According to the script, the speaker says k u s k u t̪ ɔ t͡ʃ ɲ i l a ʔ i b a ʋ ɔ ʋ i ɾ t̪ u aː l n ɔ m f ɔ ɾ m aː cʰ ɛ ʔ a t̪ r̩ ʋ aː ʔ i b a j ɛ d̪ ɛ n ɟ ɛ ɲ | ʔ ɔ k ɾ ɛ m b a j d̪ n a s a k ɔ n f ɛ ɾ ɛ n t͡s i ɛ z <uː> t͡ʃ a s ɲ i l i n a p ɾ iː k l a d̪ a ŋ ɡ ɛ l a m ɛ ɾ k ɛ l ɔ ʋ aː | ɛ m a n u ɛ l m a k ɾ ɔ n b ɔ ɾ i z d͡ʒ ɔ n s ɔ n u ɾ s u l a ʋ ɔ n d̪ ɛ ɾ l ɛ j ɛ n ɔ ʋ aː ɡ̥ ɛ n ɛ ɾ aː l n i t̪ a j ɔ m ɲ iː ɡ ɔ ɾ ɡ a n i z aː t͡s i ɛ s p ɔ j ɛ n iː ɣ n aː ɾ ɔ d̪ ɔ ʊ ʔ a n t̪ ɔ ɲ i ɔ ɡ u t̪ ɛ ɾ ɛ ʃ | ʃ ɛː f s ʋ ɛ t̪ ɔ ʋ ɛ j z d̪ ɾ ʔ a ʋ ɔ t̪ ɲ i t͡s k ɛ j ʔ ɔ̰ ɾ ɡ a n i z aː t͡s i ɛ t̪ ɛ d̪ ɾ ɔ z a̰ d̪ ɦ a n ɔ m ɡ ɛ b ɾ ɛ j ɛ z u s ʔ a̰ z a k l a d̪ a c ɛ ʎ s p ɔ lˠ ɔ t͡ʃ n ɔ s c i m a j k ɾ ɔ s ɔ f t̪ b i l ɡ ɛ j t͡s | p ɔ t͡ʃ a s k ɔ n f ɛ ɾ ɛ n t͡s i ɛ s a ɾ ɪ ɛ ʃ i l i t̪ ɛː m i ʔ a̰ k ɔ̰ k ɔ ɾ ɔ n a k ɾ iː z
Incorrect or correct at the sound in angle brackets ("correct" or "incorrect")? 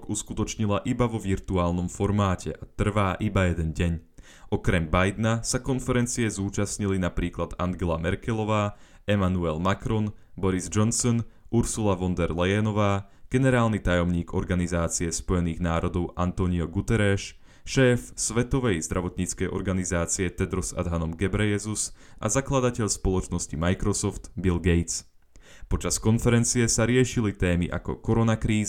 correct